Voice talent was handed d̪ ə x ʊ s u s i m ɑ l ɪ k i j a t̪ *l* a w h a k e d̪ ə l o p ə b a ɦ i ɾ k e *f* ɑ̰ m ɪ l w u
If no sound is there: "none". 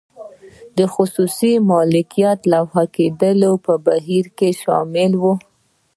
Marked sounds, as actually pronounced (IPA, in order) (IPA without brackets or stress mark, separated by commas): l, ʃ